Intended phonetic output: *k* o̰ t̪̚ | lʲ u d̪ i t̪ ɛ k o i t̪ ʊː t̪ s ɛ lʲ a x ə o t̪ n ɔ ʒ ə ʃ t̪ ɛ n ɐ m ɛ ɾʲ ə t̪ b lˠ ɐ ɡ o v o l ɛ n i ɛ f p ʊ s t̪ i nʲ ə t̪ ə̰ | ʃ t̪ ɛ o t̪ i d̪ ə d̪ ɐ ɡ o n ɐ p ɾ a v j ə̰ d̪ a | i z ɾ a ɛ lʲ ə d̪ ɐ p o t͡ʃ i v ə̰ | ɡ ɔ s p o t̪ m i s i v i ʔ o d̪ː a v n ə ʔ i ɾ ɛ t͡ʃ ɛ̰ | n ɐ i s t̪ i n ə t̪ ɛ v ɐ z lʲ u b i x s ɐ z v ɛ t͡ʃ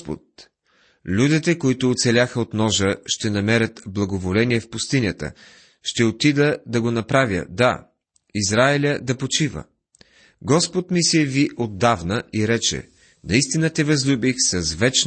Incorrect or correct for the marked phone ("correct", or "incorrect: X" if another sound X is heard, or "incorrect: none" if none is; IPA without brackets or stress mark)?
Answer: incorrect: p